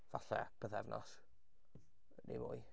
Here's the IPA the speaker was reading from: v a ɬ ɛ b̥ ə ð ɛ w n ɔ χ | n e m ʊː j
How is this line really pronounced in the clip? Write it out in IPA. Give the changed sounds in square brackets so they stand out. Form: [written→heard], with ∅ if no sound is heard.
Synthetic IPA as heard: v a ɬ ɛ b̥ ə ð ɛ [w→v] n ɔ [χ→s] | n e m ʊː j